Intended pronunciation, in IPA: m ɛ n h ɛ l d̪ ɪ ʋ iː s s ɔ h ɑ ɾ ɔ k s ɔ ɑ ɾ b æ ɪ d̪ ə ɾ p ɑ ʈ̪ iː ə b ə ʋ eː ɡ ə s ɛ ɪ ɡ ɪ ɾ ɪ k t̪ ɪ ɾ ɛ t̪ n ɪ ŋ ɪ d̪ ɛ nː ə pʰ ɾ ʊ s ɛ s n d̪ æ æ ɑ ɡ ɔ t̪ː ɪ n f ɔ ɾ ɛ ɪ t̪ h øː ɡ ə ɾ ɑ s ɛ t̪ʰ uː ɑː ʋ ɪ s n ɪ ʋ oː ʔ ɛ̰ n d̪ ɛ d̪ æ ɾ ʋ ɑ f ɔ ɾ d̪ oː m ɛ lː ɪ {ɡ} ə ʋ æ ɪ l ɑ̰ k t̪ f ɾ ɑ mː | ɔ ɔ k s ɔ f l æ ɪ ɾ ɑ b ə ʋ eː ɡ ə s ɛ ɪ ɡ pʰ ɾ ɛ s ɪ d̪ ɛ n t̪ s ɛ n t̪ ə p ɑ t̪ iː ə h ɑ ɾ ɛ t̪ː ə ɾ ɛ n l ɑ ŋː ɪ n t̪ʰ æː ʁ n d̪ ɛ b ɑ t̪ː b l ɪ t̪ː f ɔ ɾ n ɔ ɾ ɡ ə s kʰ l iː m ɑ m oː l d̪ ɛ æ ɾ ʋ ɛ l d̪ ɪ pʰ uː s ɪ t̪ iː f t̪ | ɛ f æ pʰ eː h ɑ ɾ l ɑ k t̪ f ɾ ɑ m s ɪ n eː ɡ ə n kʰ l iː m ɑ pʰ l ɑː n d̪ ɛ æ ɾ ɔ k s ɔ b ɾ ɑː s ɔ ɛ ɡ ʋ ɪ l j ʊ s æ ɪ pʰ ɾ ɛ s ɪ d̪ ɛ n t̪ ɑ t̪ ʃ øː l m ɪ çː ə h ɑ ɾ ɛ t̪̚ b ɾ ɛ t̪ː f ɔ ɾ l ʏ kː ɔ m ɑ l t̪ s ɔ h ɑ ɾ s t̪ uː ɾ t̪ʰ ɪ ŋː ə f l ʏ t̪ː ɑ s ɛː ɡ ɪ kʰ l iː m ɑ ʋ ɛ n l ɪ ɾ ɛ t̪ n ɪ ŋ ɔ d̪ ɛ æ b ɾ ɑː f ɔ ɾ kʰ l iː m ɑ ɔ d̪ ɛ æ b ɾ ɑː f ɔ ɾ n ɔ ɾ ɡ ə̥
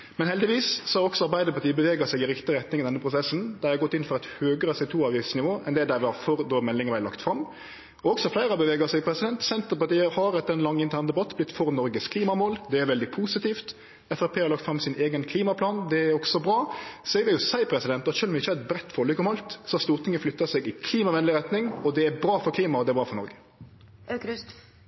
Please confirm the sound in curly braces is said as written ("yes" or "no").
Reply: no